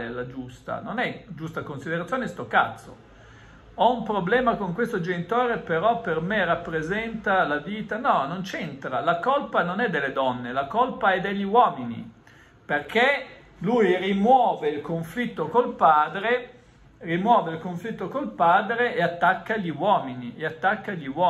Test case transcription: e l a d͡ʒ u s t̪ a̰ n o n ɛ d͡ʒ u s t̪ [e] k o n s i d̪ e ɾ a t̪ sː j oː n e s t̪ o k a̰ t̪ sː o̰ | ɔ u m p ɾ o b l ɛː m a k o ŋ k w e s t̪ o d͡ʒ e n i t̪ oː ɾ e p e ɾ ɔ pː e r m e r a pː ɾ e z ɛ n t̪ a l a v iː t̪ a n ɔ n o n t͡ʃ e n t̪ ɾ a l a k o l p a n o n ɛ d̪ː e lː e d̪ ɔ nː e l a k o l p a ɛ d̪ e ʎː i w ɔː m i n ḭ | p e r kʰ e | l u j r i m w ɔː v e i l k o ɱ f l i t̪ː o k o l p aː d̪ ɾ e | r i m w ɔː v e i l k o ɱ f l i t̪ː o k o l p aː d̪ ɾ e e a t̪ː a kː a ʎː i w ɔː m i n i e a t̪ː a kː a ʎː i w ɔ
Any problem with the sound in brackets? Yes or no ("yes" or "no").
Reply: yes